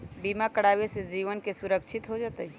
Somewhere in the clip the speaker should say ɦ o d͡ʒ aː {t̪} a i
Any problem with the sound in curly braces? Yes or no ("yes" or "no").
no